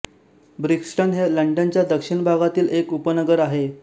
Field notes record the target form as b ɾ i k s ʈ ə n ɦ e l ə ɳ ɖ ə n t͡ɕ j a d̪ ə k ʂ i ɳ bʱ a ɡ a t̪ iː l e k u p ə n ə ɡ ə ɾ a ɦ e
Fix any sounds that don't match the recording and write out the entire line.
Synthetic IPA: b ɾ i k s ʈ ə n ɦ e l ə ɳ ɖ ə n t͡ɕ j a d̪ ə k ʂ i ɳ bʱ a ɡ a t̪ iː l e k u p ə n ə ɡ ə ɾ a ɦ e